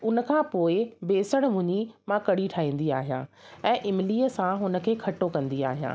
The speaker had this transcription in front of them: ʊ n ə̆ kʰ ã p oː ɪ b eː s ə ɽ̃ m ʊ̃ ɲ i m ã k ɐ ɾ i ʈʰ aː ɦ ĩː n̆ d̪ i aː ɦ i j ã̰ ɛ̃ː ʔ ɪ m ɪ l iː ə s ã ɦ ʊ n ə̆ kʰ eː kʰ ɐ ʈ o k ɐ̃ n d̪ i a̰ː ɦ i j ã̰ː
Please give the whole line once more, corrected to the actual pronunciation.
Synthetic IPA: ʊ n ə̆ kʰ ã p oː ɪ b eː s ə ɽ̃ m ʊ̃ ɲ i m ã k ɐ ɽ i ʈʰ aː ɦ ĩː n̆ d̪ i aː ɦ i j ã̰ ɛ̃ː ʔ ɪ m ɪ l iː ə s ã ɦ ʊ n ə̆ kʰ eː kʰ ɐ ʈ o k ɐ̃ n d̪ i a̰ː ɦ i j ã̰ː